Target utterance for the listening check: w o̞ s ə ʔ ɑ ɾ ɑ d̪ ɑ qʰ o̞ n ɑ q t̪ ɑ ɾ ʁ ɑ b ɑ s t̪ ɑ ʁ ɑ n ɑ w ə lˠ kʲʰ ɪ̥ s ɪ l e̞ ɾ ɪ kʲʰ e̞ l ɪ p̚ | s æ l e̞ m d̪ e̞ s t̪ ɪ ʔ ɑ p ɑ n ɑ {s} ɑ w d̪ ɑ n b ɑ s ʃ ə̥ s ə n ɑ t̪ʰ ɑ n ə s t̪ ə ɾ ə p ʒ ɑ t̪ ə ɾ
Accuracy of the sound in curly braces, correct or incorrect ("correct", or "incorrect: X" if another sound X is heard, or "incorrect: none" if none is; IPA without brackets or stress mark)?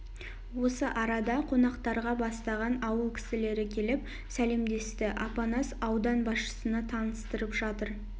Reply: correct